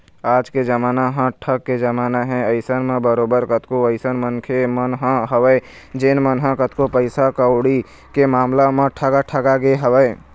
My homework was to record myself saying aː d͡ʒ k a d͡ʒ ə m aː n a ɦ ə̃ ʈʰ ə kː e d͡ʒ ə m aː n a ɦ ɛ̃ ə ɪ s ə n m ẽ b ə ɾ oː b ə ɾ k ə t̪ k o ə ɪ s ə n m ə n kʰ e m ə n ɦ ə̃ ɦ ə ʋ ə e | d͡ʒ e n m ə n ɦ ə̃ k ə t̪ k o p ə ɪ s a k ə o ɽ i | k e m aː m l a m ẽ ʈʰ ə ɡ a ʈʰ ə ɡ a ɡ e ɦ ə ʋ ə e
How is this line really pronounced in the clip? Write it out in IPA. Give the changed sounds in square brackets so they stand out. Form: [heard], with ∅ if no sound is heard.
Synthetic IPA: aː d͡ʒ k [e] d͡ʒ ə m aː n a ɦ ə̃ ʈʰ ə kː e d͡ʒ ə m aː n a ɦ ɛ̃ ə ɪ s ə n m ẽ b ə ɾ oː b ə ɾ k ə t̪ k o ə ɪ s ə n m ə n kʰ e m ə n ɦ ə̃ ɦ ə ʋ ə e | d͡ʒ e n m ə n ɦ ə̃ k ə t̪ k o p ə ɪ s a k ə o ɽ i | k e m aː m l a m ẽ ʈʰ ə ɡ a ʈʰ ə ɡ a ɡ e ɦ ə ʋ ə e